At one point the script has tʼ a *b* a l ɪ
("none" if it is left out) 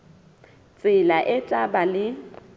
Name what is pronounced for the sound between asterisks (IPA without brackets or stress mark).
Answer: b